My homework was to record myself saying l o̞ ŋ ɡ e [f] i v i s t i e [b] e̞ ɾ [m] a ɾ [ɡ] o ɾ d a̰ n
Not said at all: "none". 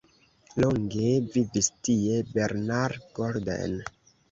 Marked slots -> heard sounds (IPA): v, b, n, ɡ

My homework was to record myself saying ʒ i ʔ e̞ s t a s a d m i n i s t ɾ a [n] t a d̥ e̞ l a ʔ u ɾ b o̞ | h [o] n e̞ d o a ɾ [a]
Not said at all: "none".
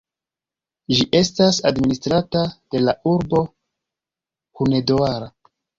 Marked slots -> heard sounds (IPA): none, u, a

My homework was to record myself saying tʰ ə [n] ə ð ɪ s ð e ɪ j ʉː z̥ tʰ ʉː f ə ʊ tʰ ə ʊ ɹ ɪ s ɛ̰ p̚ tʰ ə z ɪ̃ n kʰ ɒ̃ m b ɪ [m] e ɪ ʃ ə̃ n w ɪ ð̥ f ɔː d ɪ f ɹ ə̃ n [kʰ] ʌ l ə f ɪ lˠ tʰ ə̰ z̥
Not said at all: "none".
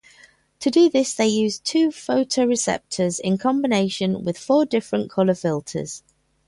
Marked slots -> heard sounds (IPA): d, n, kʰ

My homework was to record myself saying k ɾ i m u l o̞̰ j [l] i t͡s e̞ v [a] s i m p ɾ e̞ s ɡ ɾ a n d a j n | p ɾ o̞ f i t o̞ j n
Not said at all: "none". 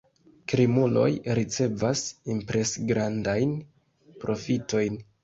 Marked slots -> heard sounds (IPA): ɾ, a

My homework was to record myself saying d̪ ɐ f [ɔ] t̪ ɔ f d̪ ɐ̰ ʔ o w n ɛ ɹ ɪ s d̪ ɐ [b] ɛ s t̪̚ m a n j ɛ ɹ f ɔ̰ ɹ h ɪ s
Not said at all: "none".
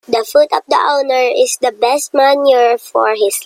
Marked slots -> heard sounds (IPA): u, b

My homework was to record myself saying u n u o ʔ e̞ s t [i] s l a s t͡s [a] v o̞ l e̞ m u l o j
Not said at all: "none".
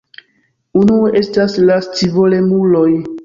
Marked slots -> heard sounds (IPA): a, i

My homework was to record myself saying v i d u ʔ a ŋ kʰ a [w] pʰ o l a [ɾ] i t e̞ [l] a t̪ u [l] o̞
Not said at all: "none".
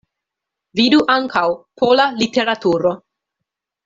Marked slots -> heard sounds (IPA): w, l, ɾ, ɾ

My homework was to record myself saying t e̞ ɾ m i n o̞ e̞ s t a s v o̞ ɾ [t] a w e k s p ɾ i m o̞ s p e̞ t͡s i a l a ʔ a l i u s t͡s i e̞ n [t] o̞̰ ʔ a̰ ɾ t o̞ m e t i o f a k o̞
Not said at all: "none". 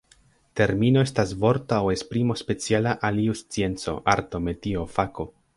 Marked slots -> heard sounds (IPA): t, t͡s

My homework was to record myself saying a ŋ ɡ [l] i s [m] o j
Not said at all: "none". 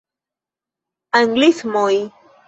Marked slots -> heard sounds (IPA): l, m

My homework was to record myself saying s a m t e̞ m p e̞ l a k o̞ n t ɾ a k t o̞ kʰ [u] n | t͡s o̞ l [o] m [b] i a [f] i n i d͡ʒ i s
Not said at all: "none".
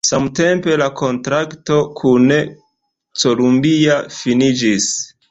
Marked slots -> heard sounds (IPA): u, u, b, f

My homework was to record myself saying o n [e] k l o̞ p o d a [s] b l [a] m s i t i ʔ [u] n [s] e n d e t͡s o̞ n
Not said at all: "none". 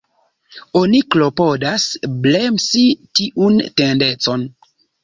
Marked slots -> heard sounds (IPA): i, s, e, u, t

